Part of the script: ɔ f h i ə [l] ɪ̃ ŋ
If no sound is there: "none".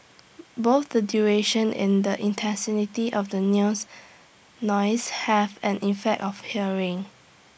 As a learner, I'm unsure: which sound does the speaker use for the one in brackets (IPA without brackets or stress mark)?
ɹ